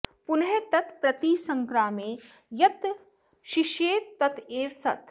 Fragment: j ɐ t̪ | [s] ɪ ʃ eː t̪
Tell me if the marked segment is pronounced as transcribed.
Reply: no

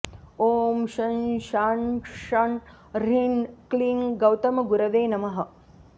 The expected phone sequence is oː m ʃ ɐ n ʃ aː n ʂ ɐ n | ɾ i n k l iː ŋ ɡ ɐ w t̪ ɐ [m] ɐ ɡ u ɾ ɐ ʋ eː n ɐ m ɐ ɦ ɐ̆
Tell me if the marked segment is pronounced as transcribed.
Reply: yes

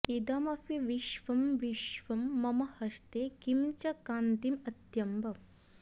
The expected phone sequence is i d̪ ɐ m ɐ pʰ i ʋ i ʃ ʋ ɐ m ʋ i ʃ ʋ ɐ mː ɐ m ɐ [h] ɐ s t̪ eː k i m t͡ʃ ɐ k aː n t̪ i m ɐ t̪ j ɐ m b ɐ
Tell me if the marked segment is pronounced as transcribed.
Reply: yes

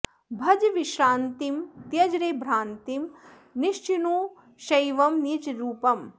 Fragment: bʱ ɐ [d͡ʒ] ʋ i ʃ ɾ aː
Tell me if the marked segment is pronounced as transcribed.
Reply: yes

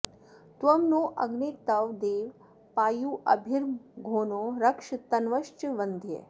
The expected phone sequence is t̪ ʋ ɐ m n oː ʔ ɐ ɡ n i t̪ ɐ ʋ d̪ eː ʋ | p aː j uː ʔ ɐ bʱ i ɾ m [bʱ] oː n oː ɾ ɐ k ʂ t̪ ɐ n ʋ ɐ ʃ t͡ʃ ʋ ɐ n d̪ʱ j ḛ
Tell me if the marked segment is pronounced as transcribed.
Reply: no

